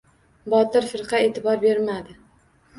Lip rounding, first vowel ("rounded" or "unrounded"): rounded